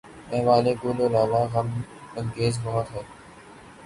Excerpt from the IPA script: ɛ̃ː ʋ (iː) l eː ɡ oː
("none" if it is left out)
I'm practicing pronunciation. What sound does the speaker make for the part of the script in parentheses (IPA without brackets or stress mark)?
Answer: aː